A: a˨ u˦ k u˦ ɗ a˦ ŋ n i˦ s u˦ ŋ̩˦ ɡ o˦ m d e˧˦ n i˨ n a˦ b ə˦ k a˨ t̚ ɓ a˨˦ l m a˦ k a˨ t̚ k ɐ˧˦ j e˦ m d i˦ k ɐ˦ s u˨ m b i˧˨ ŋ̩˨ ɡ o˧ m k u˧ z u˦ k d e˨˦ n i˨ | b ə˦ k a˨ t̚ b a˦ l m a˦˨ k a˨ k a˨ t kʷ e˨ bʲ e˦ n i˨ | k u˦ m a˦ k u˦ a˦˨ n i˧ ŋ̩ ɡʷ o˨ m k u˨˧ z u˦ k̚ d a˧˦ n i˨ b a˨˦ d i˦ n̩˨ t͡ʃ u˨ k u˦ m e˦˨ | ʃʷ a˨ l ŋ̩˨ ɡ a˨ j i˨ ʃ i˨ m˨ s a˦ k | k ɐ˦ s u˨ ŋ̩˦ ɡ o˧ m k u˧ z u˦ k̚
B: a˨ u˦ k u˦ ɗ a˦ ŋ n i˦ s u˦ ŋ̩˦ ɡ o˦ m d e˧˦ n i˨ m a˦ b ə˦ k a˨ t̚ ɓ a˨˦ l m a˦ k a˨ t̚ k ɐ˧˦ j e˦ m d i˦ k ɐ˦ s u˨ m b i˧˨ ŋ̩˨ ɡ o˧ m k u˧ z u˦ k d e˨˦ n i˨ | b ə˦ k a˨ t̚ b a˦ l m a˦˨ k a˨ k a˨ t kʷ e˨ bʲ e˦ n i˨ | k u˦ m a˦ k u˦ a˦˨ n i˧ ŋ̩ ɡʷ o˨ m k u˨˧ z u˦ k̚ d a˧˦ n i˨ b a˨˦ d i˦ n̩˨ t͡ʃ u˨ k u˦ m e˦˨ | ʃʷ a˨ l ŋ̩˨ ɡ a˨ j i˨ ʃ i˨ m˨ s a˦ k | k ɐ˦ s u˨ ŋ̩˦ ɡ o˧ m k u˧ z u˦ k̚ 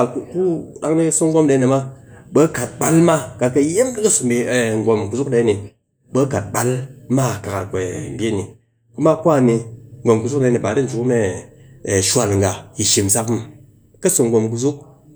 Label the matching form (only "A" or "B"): B